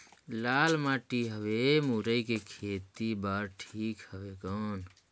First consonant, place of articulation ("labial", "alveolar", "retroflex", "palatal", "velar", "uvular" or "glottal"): alveolar